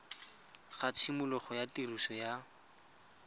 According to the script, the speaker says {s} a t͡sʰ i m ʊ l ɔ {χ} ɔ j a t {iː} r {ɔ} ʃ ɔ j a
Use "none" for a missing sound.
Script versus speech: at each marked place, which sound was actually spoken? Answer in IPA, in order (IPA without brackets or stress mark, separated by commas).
χ, χ, i, u